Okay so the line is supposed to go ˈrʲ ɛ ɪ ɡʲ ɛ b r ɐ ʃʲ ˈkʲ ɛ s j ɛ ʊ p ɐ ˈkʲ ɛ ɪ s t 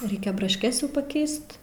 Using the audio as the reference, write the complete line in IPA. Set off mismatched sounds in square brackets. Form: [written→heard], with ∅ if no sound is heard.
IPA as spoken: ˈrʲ ɛ ɪ [ɡʲ→kʲ] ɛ b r ɐ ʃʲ ˈkʲ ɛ s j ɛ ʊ p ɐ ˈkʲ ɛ ɪ s t

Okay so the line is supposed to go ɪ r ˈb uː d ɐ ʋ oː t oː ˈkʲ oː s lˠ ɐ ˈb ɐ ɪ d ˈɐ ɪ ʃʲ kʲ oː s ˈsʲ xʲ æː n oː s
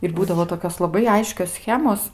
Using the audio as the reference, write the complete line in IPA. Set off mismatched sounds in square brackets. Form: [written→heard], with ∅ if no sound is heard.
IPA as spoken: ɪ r ˈb uː d ɐ ʋ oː t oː ˈkʲ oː s lˠ ɐ ˈb ɐ ɪ [d→∅] ˈɐ ɪ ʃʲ kʲ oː s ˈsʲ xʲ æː [n→m] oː s

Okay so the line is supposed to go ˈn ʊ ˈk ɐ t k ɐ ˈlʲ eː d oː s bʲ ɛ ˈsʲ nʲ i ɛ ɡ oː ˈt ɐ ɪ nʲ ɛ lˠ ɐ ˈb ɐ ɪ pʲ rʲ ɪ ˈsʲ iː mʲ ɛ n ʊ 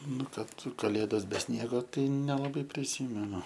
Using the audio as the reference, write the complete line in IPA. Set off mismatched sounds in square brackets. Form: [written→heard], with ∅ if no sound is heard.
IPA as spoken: ˈn ʊ ˈk ɐ t k ɐ ˈlʲ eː d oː s bʲ ɛ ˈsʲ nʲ i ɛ ɡ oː ˈt ɐ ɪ nʲ ɛ lˠ ɐ ˈb ɐ ɪ pʲ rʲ ɪ ˈsʲ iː mʲ ɛ n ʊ

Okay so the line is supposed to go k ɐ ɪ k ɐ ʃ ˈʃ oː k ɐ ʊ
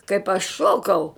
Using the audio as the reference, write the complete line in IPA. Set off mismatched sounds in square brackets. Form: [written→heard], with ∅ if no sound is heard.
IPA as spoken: k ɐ ɪ [k→p] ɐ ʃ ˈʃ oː k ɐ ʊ

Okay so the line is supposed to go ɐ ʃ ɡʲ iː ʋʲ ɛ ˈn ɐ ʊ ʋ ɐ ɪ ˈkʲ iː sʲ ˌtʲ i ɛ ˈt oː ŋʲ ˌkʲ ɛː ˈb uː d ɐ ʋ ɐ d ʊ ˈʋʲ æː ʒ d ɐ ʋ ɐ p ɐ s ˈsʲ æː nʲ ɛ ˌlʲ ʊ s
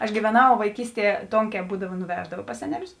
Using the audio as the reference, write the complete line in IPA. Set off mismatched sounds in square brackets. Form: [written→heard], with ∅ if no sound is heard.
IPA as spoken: ɐ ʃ ɡʲ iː ʋʲ ɛ ˈn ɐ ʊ ʋ ɐ ɪ ˈkʲ iː sʲ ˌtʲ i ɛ ˈt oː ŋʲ ˌkʲ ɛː ˈb uː d ɐ ʋ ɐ [d→n] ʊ ˈʋʲ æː ʒ d ɐ ʋ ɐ p ɐ s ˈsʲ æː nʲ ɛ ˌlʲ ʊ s

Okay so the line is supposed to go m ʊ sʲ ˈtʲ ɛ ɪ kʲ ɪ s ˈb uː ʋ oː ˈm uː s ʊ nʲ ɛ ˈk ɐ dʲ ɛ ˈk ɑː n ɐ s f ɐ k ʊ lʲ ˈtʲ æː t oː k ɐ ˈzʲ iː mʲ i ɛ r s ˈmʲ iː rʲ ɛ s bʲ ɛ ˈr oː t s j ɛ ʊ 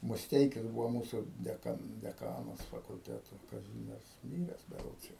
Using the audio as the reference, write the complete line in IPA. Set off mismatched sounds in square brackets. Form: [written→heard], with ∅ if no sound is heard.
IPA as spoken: m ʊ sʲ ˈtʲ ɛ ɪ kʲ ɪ s ˈb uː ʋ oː ˈm uː s ʊ [nʲ→dʲ] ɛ ˈk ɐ dʲ ɛ ˈk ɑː n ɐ s f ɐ k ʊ lʲ ˈtʲ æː t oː k ɐ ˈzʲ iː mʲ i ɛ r s ˈmʲ iː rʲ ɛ s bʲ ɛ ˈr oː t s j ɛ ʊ

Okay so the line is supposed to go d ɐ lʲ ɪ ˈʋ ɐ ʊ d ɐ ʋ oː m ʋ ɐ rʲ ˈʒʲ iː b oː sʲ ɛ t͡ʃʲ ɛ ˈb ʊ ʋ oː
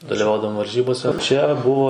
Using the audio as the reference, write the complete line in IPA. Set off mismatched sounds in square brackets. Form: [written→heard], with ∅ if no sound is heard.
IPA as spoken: d ɐ lʲ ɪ ˈʋ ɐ ʊ d ɐ ʋ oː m ʋ ɐ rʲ ˈʒʲ iː b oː sʲ ɛ t͡ʃʲ ɛ ˈb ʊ ʋ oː

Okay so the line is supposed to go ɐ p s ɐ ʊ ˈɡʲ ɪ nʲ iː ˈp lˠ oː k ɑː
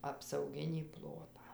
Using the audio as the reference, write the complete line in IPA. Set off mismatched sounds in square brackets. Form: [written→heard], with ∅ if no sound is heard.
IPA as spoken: ɐ p s ɐ ʊ ˈɡʲ ɪ nʲ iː ˈp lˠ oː [k→t] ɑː

